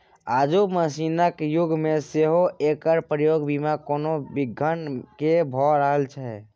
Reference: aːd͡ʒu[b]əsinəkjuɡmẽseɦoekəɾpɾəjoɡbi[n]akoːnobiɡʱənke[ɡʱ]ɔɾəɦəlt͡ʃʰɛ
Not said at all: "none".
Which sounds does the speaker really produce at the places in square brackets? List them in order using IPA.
m, m, bʱ

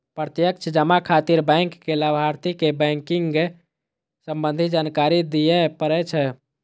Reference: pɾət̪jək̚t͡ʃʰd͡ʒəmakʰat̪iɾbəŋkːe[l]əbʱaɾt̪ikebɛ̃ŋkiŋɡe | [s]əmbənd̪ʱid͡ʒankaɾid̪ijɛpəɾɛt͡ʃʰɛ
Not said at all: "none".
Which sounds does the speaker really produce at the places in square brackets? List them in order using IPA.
l, s

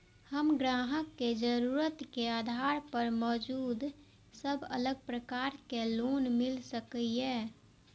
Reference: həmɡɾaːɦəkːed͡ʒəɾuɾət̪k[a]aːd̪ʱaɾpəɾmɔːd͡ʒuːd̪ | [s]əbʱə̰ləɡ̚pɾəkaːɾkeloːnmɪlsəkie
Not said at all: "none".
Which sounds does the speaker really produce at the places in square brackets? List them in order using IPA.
e, s

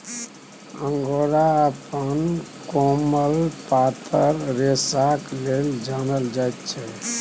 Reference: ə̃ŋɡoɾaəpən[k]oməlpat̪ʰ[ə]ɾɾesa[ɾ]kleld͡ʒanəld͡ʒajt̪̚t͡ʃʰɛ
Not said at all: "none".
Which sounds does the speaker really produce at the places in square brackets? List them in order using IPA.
k, ə, none

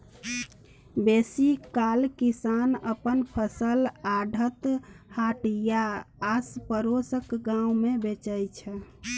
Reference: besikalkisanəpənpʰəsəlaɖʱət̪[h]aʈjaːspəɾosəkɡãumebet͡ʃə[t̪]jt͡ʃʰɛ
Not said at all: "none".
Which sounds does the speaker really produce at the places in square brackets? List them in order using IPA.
h, none

